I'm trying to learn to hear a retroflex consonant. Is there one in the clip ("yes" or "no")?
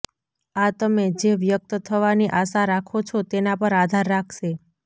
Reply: no